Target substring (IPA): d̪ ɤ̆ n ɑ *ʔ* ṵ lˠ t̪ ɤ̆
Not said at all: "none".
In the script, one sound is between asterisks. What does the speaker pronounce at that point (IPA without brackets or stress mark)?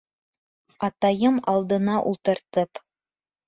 ʔ